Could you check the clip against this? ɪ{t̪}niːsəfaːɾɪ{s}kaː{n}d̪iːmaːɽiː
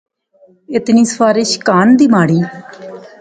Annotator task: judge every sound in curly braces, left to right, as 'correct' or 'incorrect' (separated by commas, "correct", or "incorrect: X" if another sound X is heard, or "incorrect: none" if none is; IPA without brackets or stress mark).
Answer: correct, incorrect: ʃ, correct